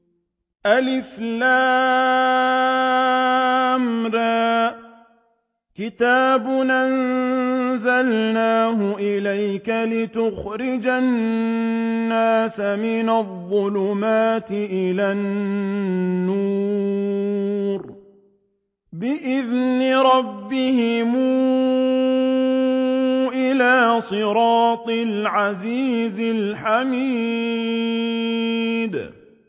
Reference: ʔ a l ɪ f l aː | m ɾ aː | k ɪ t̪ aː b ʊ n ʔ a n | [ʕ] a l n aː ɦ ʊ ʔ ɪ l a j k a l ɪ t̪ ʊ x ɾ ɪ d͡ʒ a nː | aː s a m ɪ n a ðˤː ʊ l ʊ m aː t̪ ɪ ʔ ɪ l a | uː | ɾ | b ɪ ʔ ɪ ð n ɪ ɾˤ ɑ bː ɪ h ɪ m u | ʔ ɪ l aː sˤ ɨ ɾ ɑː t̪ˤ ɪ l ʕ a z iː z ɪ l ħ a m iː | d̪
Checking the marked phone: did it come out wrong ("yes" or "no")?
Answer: yes